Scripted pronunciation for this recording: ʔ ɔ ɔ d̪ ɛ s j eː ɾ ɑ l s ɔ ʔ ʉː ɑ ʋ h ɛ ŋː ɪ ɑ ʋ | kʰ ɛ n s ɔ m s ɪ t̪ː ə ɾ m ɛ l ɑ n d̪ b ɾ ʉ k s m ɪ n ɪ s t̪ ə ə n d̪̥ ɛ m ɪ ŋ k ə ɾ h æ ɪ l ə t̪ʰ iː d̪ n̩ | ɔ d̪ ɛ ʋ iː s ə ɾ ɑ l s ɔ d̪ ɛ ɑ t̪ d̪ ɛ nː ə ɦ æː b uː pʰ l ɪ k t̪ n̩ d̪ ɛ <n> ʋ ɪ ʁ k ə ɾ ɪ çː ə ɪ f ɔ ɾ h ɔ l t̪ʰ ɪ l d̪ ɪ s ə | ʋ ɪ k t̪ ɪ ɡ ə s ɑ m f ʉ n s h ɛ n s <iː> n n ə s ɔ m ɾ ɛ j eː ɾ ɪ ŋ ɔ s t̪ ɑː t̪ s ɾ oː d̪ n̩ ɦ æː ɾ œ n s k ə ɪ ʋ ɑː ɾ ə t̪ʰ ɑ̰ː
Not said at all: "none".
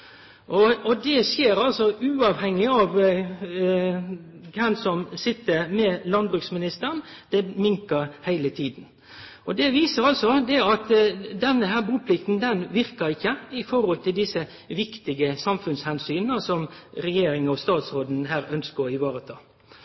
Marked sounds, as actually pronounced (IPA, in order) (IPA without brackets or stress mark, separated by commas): n, yː